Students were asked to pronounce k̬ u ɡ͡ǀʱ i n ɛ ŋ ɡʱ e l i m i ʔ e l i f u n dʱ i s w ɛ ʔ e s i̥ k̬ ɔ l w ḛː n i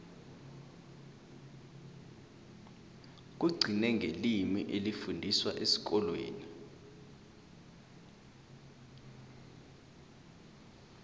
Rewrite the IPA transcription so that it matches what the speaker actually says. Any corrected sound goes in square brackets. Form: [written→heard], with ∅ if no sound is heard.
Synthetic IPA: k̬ u ɡ͡ǀʱ i n ɛ ŋ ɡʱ e l i m i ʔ e l i f u n dʱ i s w [ɛ→a] ʔ e s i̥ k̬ ɔ l w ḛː n i